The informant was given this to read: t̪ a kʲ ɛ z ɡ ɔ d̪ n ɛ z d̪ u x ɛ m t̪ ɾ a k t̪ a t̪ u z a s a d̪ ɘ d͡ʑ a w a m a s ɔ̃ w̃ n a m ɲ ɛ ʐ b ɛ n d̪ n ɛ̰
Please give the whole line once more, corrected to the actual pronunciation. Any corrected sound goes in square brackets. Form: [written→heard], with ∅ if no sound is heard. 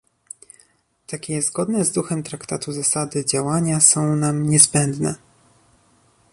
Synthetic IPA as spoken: t̪ a kʲ ɛ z ɡ ɔ d̪ n ɛ z d̪ u x ɛ m t̪ ɾ a k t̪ a t̪ u z a s a d̪ ɘ d͡ʑ a w a [m→ɲ] a s ɔ̃ w̃ n a m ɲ ɛ [ʐ→z] b ɛ n d̪ n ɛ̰